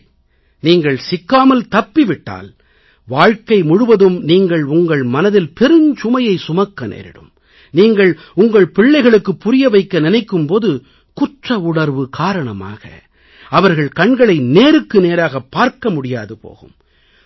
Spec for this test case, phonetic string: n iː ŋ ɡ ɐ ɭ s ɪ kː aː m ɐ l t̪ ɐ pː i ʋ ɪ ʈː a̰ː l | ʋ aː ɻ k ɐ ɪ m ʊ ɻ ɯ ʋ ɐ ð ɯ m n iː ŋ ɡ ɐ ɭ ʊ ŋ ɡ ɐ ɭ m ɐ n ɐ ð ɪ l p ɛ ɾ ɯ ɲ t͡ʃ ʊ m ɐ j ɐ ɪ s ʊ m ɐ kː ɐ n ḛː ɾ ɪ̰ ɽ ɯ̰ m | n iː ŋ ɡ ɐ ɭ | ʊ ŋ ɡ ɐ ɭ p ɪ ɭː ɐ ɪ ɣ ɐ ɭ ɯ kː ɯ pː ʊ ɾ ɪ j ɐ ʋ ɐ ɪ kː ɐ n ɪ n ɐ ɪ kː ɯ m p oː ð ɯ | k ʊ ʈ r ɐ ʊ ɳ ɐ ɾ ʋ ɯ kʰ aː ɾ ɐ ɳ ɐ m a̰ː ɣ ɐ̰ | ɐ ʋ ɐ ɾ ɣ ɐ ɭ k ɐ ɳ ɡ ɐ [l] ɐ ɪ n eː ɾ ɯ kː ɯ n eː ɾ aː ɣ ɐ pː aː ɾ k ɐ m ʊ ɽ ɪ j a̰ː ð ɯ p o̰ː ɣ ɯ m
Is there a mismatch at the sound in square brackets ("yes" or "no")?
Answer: yes